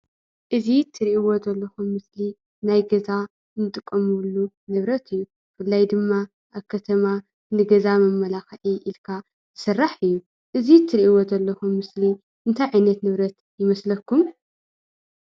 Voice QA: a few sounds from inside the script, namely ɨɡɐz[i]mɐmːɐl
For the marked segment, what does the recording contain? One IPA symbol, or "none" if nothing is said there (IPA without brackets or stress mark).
a